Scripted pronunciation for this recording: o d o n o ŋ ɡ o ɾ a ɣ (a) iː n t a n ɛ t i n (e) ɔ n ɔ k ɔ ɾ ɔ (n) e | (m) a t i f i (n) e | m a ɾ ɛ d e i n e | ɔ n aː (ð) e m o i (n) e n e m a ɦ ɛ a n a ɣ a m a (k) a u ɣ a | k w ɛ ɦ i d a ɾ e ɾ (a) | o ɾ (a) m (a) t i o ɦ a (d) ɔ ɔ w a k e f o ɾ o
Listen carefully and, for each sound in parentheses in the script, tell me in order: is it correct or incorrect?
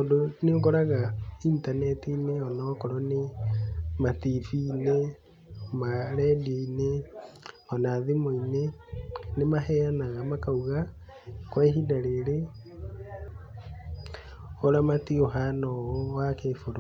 correct, correct, correct, correct, correct, correct, correct, correct, incorrect, correct, correct, incorrect

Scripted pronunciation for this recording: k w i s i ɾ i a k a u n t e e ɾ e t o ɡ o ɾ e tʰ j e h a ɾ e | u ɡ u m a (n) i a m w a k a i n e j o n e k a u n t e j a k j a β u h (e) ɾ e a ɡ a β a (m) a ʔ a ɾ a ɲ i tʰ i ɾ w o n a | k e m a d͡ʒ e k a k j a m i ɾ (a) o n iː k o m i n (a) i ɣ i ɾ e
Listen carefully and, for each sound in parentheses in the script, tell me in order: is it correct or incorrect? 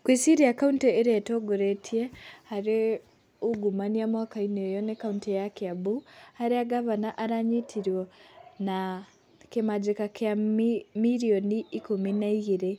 correct, incorrect, incorrect, incorrect, correct

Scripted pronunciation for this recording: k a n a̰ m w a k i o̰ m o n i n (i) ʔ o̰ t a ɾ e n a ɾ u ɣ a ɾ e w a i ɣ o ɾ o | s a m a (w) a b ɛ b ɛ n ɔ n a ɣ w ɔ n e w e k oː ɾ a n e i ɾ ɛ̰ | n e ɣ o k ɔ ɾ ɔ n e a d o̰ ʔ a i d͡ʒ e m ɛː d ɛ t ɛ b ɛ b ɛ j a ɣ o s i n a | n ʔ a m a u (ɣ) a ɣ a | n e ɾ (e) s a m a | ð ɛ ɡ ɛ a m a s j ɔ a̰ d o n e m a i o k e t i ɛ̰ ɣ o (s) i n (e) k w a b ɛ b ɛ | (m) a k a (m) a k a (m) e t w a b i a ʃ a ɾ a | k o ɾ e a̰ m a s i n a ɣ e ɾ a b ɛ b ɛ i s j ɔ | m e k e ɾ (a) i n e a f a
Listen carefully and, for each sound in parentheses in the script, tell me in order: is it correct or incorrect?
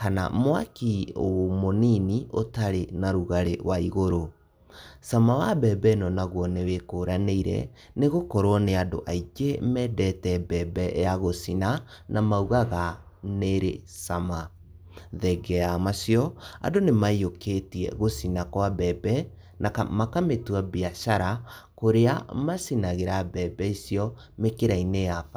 correct, correct, correct, correct, correct, incorrect, incorrect, correct, correct, correct

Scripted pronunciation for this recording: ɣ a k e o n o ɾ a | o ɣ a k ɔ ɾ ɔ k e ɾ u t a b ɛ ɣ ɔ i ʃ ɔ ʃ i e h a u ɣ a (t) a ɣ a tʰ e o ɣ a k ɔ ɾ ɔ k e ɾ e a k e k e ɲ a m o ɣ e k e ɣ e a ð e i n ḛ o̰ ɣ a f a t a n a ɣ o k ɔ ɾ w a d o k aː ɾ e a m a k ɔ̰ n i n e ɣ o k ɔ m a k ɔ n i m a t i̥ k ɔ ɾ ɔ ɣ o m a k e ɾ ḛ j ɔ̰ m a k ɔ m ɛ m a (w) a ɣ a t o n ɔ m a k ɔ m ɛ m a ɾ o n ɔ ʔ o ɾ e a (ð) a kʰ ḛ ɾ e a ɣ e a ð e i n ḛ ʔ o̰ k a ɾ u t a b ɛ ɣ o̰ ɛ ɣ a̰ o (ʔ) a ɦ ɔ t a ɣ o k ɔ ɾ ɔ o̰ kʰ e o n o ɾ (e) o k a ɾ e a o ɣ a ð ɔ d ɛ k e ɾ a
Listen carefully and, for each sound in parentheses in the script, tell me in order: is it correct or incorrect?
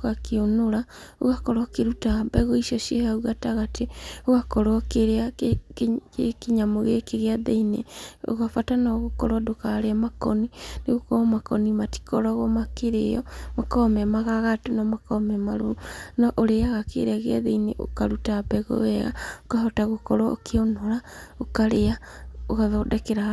correct, incorrect, incorrect, incorrect, incorrect

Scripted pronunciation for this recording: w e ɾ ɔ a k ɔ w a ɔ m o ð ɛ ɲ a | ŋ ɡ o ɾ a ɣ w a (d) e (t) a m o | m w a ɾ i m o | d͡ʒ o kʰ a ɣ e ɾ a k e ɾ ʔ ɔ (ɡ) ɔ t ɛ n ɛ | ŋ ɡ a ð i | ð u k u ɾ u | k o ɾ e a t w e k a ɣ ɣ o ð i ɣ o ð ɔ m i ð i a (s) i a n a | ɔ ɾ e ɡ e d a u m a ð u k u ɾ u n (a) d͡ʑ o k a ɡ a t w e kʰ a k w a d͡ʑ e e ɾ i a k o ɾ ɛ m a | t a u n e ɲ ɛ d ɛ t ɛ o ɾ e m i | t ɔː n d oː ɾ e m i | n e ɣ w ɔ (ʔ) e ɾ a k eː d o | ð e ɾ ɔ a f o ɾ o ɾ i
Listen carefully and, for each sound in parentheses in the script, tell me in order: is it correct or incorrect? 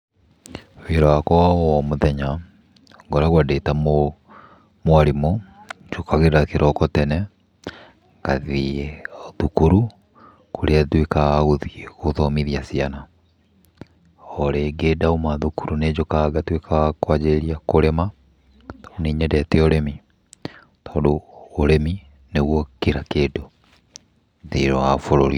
correct, correct, incorrect, correct, incorrect, incorrect

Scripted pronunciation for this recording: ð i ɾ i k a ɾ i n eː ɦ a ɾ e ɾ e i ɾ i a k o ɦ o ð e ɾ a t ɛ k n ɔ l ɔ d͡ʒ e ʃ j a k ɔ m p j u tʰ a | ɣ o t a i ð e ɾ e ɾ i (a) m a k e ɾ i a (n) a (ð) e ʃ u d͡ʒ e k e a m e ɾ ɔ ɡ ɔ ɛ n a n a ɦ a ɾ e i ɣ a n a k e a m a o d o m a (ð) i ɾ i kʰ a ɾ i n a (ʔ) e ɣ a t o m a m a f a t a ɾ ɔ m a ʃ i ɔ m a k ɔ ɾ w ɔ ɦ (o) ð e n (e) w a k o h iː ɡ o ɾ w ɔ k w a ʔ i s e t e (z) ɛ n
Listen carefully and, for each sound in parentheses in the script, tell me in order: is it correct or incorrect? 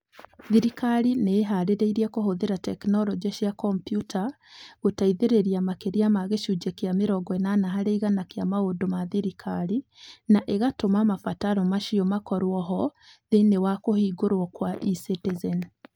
correct, incorrect, incorrect, correct, correct, incorrect, correct, correct

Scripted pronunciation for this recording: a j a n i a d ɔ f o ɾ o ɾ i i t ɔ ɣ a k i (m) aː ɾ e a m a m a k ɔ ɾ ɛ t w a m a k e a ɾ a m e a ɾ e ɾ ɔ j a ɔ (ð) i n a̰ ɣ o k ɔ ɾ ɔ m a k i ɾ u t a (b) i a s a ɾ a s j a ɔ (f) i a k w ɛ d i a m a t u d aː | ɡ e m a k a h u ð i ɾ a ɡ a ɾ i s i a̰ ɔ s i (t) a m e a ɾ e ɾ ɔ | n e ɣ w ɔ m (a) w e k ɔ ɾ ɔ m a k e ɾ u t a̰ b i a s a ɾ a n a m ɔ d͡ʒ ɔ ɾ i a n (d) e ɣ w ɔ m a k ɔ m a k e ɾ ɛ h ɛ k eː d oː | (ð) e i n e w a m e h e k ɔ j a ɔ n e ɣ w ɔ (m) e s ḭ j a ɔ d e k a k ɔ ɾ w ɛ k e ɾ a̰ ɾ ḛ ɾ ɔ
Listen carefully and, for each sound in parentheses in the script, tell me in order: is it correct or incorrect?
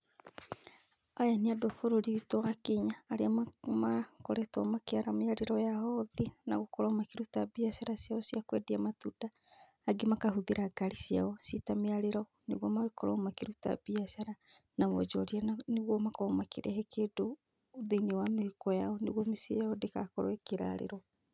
incorrect, correct, correct, incorrect, correct, correct, incorrect, correct, correct

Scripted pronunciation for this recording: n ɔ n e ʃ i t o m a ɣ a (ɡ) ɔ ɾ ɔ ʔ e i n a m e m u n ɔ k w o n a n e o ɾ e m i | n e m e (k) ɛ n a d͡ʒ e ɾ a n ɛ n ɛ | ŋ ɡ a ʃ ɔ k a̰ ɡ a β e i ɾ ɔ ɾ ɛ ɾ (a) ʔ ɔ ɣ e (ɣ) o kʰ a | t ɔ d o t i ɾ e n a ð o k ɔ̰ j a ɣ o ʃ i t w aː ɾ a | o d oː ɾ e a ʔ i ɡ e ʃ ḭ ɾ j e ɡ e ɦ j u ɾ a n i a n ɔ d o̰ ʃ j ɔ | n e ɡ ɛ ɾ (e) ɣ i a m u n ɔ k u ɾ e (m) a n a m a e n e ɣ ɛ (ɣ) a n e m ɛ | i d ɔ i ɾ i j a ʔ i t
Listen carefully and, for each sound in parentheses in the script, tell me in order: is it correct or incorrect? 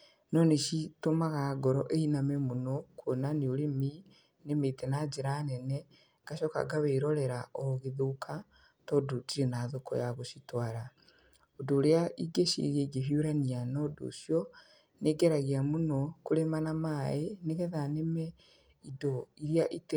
correct, incorrect, correct, incorrect, incorrect, correct, incorrect

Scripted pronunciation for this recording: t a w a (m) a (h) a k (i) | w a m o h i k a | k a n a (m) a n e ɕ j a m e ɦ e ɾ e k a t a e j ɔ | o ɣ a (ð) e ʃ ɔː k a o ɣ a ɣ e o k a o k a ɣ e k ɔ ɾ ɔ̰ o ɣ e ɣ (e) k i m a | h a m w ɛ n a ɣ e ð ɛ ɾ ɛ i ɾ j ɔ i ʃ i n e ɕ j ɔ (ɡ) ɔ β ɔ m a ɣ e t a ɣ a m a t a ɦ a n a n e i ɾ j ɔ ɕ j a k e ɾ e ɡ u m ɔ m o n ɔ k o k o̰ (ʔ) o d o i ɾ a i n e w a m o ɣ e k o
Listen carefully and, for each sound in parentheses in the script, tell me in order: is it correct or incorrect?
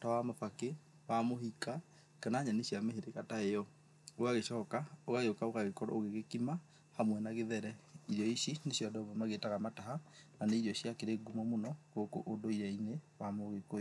correct, incorrect, incorrect, incorrect, incorrect, correct, incorrect, correct

